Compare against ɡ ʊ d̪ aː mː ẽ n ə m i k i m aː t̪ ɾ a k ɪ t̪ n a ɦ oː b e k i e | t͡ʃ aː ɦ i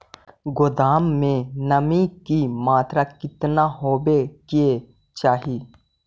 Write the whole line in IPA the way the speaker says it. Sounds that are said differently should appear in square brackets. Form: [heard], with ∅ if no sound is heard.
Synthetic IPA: ɡ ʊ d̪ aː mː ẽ n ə m i k i m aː t̪ ɾ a k ɪ t̪ n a ɦ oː b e k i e | t͡ʃ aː ɦ i